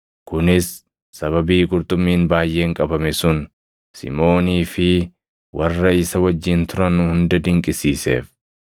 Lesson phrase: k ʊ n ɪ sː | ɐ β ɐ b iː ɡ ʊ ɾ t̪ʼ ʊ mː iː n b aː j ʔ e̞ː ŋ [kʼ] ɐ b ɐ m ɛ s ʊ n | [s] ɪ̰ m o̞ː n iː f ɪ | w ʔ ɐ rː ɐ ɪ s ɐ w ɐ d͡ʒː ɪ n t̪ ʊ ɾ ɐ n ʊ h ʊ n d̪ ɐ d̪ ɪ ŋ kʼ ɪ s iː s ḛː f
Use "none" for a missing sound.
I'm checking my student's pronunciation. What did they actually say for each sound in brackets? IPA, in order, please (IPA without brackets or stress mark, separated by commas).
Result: kʼ, s